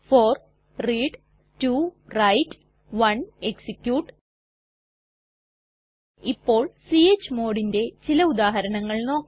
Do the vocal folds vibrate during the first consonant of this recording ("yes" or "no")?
no